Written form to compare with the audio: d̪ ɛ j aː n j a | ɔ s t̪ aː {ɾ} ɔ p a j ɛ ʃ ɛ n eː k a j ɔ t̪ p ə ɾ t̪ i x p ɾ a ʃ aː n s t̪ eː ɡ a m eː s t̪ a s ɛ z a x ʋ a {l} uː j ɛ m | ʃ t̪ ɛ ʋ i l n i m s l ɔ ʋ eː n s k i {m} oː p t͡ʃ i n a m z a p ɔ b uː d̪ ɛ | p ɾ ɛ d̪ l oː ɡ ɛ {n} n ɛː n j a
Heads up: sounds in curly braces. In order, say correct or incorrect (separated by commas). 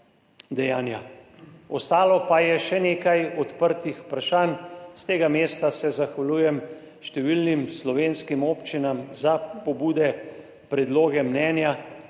incorrect, correct, correct, incorrect